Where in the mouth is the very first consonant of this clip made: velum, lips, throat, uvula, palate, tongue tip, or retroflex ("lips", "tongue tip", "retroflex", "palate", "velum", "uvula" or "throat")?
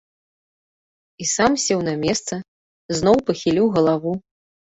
tongue tip